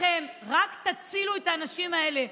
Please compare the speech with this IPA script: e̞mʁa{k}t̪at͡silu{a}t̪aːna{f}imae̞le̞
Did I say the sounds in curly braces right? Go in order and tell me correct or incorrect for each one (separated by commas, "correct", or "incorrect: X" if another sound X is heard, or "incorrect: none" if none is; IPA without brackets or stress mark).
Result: correct, incorrect: e, incorrect: ʃ